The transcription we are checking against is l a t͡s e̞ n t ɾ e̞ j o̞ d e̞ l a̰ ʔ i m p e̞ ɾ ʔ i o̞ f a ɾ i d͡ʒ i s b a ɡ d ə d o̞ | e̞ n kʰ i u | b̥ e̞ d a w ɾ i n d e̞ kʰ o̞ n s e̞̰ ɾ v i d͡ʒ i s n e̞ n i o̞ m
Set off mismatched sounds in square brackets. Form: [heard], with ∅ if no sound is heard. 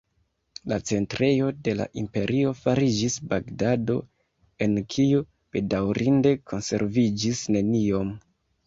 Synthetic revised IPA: l a t͡s e̞ n t ɾ e̞ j o̞ d e̞ l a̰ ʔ i m p e̞ ɾ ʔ i o̞ f a ɾ i d͡ʒ i s b a ɡ d [a] d o̞ | e̞ n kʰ i u | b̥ e̞ d a w ɾ i n d e̞ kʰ o̞ n s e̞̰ ɾ v i d͡ʒ i s n e̞ n i o̞ m